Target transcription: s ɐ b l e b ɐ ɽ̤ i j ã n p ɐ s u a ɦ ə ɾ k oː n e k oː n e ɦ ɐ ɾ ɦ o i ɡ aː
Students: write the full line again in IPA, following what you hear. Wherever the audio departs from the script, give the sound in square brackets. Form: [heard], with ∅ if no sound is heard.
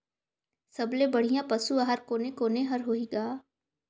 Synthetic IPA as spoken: s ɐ b l e b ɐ ɽ̤ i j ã [∅] p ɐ s u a ɦ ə ɾ k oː n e k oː n e ɦ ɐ ɾ ɦ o i ɡ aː